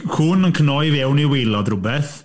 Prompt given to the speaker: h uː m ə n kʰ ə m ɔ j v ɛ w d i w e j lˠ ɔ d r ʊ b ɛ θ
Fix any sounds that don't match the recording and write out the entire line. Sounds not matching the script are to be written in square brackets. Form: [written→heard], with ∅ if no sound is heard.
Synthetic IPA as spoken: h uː [m→n] ə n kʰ ə [m→n] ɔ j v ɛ w [d→n] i w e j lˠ ɔ d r ʊ b ɛ θ